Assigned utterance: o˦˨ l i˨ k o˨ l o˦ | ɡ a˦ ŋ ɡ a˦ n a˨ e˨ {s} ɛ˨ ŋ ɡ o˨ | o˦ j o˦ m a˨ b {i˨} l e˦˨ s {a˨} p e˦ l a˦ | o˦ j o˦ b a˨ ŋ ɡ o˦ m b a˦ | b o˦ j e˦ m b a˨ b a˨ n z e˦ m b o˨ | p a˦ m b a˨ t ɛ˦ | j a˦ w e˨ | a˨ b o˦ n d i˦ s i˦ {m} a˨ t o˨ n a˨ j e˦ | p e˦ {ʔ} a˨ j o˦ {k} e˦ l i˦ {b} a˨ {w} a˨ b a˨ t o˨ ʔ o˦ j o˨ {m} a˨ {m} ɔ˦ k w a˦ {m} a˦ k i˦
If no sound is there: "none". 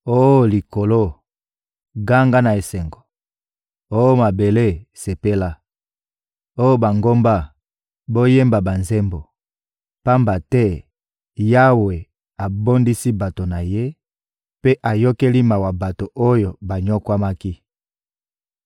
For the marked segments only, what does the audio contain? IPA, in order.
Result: s, e˨, e˨, b, ʔ, k, m, w, b, ɲ, m

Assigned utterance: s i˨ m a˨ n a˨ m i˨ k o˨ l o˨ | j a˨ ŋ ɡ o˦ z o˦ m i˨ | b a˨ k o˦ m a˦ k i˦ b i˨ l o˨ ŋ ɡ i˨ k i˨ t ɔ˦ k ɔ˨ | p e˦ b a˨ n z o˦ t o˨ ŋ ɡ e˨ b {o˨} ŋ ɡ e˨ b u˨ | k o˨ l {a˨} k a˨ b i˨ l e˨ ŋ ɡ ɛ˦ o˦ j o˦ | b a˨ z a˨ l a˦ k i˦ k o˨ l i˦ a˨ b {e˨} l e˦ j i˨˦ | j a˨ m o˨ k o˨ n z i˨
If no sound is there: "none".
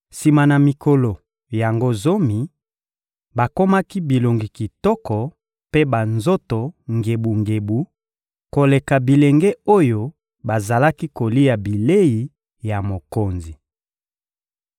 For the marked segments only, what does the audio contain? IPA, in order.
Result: u˨, e˨, i˨

